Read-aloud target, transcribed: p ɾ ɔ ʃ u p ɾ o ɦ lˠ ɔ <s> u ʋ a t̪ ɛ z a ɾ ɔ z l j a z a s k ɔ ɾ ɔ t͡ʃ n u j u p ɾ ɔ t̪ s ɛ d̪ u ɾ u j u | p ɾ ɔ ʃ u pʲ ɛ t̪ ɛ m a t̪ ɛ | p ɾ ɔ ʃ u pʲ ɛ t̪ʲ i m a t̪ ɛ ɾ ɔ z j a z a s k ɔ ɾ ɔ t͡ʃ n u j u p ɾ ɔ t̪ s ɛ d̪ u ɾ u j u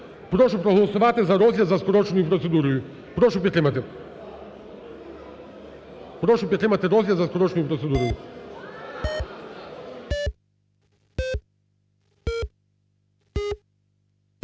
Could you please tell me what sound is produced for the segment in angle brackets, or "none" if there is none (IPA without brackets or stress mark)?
s